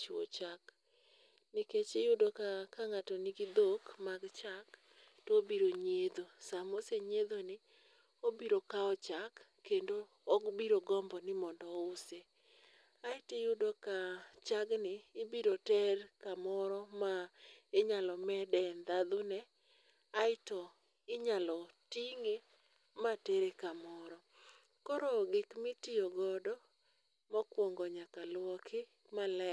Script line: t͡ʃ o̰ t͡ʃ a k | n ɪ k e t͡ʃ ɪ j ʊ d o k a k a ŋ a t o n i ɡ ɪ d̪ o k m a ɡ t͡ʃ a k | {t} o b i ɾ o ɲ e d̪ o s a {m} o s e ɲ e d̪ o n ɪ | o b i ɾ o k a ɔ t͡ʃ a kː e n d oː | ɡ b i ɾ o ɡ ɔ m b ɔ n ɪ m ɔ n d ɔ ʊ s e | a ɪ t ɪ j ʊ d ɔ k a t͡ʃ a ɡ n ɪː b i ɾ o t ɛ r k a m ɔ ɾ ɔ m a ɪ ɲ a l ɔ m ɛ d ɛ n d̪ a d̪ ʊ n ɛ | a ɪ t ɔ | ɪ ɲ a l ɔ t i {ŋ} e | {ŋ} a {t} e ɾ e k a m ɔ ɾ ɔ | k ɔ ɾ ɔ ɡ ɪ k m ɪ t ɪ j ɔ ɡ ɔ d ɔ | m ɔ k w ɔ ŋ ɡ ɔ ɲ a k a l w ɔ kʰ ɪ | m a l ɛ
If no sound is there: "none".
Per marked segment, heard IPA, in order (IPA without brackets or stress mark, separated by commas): t, m, ŋ, m, t